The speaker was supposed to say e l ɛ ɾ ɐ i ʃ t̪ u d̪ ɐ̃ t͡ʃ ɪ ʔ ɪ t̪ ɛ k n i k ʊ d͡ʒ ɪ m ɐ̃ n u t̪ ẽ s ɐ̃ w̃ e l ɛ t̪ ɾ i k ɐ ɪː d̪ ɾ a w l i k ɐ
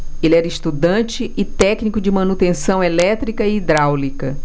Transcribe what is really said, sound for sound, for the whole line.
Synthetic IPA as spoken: e l ɛ ɾ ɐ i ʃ t̪ u d̪ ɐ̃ t͡ʃ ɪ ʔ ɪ t̪ ɛ k n i k ʊ d͡ʒ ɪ m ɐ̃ n u t̪ ẽ s ɐ̃ w̃ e l ɛ t̪ ɾ i k ɐ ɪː d̪ ɾ a w l i k ɐ

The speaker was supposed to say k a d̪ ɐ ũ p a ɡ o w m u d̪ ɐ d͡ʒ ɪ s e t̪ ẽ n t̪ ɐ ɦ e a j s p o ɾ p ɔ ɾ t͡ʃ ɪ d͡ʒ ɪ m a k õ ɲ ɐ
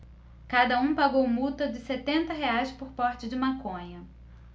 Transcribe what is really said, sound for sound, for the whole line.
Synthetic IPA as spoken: k a d̪ ɐ ũ p a ɡ o w m u t̪ ɐ d͡ʒ ɪ s e t̪ ẽ n t̪ ɐ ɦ e a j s p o ɾ p ɔ ɾ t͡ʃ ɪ d͡ʒ ɪ m a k õ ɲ ɐ

